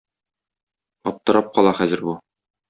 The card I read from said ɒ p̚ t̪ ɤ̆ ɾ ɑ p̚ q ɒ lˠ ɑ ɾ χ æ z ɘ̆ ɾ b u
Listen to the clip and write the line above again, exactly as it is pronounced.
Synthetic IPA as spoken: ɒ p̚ t̪ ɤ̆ ɾ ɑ p̚ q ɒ lˠ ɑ χ æ z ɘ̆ ɾ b u